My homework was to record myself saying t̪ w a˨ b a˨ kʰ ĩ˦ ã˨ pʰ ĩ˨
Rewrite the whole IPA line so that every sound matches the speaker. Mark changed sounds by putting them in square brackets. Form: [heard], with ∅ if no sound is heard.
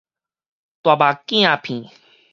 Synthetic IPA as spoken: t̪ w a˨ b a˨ [k] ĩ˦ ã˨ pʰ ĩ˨